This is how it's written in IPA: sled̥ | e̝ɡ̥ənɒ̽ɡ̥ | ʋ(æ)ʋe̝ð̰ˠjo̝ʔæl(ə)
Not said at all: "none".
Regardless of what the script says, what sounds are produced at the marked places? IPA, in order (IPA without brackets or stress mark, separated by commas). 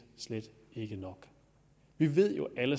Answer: i, ə